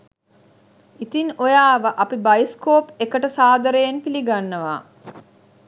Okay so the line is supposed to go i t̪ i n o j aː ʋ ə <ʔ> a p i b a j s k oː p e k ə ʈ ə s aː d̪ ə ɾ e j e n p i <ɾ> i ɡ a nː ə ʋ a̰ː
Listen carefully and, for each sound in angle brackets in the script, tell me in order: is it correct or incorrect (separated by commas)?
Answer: correct, incorrect